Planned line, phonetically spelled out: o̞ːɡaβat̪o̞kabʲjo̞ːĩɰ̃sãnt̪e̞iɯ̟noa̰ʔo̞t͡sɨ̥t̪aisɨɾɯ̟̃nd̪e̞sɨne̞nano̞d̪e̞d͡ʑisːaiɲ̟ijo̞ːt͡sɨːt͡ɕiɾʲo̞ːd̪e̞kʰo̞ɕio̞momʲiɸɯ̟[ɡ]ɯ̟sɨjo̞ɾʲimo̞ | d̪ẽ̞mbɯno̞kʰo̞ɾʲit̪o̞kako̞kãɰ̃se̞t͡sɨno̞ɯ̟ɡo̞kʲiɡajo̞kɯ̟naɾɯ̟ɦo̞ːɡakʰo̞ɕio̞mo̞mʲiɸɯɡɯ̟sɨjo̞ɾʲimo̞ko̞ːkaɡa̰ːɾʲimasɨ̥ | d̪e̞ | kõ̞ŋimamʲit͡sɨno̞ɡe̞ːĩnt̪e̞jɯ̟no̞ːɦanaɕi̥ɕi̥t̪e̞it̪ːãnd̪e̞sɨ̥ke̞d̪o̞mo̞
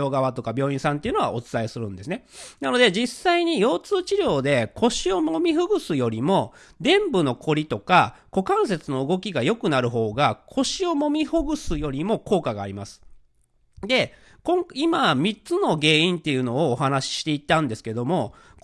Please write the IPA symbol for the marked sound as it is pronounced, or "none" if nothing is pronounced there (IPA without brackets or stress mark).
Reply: ɡ